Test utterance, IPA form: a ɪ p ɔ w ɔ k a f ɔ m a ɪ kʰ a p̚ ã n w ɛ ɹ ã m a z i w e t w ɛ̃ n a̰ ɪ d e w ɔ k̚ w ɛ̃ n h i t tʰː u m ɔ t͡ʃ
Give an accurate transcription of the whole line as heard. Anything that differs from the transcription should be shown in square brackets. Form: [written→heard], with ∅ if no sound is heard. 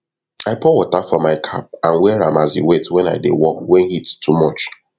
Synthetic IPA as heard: a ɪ p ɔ w ɔ [k→t] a f ɔ m a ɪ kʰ a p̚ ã n w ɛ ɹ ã m a z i w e t w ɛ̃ n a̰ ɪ d e w ɔ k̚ w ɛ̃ n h i t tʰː u m ɔ t͡ʃ